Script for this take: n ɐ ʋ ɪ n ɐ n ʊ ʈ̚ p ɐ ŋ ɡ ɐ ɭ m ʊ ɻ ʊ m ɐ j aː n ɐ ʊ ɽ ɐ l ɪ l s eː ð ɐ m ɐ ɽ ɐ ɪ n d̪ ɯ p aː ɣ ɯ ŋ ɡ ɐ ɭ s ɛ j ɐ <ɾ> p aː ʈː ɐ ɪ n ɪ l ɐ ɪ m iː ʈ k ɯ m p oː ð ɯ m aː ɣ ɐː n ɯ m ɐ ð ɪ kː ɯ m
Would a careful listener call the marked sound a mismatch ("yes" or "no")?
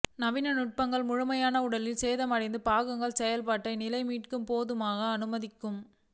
yes